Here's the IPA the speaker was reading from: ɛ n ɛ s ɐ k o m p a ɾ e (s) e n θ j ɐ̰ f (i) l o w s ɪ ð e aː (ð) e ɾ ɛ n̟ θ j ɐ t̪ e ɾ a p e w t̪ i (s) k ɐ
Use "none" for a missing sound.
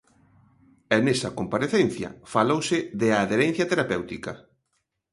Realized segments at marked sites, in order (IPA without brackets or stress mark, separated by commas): θ, a, ð, none